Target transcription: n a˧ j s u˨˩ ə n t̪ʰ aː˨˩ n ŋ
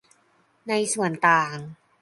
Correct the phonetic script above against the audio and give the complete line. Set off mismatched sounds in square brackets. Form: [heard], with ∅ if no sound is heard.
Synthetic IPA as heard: n a˧ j s u˨˩ ə n [t̪] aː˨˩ [∅] ŋ